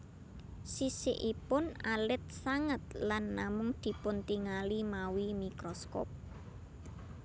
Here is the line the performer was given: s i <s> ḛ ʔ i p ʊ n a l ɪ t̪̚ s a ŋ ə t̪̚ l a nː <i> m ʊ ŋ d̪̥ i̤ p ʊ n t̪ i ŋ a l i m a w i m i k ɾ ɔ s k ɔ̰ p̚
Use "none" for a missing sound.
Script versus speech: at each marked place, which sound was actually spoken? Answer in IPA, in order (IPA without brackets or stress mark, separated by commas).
s, a